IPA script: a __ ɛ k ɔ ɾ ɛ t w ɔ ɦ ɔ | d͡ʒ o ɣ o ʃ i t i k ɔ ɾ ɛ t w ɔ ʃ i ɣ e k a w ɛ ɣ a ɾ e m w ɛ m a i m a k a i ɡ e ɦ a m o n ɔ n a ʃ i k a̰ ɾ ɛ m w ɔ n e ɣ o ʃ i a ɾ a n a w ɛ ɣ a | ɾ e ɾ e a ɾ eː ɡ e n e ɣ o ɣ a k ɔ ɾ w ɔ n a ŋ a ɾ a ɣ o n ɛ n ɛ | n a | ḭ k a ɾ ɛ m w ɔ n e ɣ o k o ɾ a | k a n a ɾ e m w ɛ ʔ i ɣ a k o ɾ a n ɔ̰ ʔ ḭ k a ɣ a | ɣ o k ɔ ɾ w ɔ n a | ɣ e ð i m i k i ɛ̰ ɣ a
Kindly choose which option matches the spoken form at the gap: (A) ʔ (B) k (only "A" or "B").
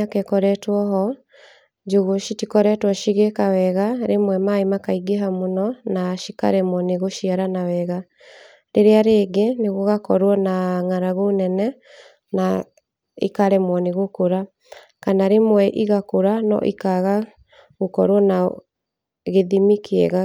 B